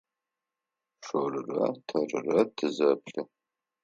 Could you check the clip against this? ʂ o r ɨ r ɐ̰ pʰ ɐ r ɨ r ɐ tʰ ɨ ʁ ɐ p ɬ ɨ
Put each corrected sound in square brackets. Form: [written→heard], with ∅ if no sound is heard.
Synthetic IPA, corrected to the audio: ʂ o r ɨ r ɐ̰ [pʰ→tʰ] ɐ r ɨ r ɐ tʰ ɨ [ʁ→z] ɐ p ɬ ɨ